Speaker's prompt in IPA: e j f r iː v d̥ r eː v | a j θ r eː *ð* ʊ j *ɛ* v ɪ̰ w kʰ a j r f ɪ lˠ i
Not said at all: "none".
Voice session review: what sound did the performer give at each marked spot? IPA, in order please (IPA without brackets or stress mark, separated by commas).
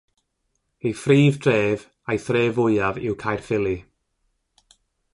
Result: v, a